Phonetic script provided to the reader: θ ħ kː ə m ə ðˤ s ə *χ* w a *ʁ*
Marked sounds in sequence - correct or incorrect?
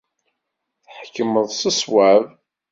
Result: incorrect: s, incorrect: v

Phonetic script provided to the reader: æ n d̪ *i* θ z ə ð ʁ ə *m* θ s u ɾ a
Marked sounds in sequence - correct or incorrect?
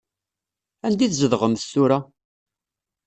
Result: correct, correct

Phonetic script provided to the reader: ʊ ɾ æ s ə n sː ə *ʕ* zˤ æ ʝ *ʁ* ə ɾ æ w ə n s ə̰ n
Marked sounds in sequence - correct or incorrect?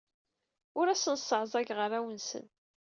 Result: correct, correct

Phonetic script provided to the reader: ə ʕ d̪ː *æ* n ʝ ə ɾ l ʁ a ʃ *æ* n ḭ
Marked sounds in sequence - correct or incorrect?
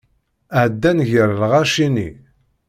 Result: correct, incorrect: i

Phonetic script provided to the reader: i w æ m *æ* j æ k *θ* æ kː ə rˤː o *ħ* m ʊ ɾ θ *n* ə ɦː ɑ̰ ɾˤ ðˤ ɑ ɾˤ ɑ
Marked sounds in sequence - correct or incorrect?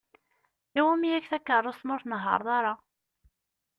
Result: incorrect: i, correct, incorrect: s, correct

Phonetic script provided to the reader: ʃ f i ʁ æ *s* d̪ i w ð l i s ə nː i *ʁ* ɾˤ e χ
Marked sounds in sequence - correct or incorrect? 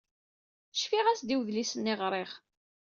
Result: correct, correct

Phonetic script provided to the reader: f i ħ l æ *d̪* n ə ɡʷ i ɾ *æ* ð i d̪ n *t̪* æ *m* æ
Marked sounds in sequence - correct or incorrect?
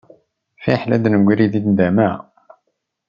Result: correct, incorrect: i, incorrect: d̪, correct

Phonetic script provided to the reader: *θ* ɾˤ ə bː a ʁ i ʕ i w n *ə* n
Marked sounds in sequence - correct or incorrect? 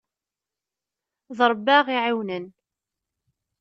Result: incorrect: ð, correct

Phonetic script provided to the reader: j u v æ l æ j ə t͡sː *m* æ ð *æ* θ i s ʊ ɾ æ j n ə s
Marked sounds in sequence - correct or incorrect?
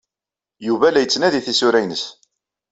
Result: incorrect: n, incorrect: i

